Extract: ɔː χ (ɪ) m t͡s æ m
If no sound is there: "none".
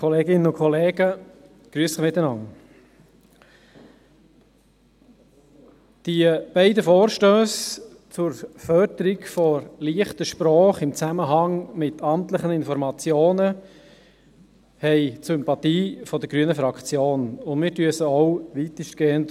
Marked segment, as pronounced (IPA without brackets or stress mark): ɪ